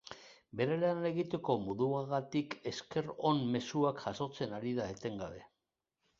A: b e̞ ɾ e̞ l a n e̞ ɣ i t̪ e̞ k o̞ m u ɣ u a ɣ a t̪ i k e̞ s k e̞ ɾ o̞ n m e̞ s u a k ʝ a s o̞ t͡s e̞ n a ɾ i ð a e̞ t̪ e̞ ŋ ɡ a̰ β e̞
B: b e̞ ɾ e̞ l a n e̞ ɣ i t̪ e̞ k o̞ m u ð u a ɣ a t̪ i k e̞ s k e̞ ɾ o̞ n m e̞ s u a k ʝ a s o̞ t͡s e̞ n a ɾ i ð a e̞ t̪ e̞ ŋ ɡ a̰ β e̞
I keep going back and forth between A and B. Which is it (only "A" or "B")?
B